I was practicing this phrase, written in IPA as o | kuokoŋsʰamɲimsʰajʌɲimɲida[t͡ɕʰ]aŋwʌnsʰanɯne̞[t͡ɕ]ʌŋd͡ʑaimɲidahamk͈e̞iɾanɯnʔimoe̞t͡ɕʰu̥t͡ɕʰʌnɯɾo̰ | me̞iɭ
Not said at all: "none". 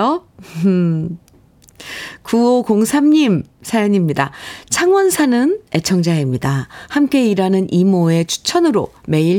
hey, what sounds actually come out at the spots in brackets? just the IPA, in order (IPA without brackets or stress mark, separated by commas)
t͡ɕʰ, t͡ɕʰ